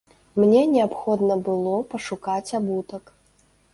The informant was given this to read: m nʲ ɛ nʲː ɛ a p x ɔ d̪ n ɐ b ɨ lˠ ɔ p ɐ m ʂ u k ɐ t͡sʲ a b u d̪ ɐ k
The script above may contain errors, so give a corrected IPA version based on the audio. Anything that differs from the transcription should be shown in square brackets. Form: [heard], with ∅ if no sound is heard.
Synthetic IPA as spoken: m nʲ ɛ [nʲ] ɛ a p x ɔ d̪ n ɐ b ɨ lˠ ɔ p ɐ [∅] ʂ u k [a] t͡sʲ a b u [t̪] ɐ k